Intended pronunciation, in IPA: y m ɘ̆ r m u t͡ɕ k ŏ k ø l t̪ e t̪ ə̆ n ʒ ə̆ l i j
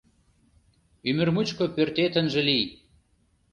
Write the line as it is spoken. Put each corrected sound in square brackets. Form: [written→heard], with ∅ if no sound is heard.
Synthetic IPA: y m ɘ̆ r m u t͡ɕ k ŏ [k→p] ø [l→r] t̪ e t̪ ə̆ n ʒ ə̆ l i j